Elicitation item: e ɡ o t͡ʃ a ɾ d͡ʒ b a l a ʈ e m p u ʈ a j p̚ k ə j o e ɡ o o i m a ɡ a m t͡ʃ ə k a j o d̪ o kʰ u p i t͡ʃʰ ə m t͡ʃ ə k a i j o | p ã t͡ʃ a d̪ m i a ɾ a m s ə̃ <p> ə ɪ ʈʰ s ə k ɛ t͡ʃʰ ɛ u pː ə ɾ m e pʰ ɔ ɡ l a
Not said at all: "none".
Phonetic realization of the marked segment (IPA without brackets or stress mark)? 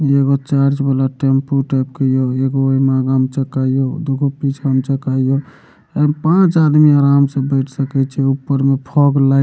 b